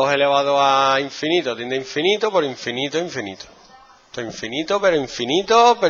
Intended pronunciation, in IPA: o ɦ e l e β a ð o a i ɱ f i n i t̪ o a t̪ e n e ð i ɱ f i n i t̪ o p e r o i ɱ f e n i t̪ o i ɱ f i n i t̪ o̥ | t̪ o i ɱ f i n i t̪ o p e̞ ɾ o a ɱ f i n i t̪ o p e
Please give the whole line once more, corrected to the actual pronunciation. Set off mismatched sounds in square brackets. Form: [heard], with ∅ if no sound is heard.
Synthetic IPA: o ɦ e l e β a ð o a i ɱ f i n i t̪ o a t̪ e n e [∅] i ɱ f i n i t̪ o p e [ɾ] o i ɱ f [i] n i t̪ o i ɱ f i n i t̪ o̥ | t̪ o i ɱ f i n i t̪ o p e̞ ɾ o [i] ɱ f i n i t̪ o p e